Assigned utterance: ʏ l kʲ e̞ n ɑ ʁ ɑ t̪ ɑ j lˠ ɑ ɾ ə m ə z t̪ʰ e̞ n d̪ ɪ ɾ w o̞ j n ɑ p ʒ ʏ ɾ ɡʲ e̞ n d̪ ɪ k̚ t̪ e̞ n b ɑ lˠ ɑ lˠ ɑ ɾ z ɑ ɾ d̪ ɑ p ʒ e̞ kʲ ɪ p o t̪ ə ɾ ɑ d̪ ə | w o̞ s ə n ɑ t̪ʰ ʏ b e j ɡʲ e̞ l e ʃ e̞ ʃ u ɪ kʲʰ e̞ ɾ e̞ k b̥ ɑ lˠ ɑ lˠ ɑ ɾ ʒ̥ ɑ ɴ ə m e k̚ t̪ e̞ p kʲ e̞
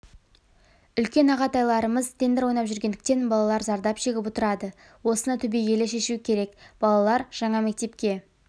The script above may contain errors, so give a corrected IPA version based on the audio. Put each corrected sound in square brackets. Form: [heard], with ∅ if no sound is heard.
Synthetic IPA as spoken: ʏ l kʲ e̞ n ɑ ʁ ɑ t̪ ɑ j lˠ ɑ ɾ ə m ə z t̪ʰ e̞ n d̪ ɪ ɾ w o̞ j n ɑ p ʒ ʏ ɾ ɡʲ e̞ n d̪ ɪ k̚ t̪ e̞ n b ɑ lˠ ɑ lˠ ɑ ɾ z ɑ ɾ d̪ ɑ p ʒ e̞ [ɡʲ] ɪ p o t̪ ə ɾ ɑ d̪ ə | w o̞ s ə n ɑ t̪ʰ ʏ b e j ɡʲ e̞ l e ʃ e̞ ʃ u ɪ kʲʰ e̞ ɾ e̞ k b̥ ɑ lˠ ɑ lˠ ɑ ɾ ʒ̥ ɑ ɴ [ɑ] m e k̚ t̪ e̞ p kʲ e̞